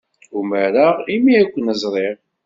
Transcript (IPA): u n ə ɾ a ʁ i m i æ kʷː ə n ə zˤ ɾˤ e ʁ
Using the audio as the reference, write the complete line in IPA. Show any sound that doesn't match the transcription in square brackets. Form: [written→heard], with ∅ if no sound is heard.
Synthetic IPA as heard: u [n→m] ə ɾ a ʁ i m i æ kʷː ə n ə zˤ ɾˤ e ʁ